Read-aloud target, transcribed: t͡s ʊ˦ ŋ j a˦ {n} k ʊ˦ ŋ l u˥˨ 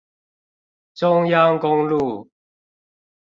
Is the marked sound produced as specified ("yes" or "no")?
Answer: no